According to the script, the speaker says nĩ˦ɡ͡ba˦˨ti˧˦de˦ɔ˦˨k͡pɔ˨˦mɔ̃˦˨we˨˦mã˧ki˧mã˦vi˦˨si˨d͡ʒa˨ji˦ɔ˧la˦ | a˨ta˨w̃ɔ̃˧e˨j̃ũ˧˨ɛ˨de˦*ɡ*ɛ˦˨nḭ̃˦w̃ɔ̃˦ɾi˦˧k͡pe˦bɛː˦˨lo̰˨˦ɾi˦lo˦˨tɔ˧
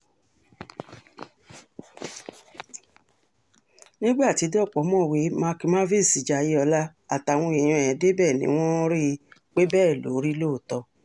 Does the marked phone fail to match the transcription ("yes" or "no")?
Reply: yes